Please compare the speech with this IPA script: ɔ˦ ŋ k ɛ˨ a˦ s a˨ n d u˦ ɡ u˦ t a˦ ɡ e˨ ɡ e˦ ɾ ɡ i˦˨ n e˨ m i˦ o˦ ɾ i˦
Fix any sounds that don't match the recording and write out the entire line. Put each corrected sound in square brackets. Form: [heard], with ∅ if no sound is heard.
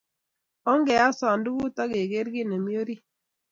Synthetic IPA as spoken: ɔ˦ ŋ [ɡ] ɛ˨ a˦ s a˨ n d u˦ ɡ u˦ t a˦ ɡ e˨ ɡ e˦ ɾ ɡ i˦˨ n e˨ m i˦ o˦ ɾ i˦